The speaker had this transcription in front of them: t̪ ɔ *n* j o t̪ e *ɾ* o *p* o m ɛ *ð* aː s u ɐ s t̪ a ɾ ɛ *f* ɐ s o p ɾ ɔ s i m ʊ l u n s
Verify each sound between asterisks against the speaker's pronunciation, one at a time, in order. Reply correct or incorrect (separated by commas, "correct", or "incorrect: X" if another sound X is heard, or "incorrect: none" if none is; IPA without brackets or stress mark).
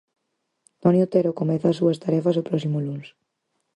correct, correct, incorrect: k, incorrect: θ, correct